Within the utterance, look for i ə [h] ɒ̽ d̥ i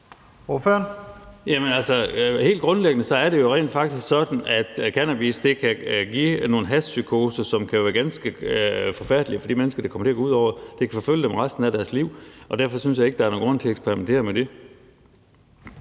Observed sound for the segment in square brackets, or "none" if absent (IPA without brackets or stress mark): f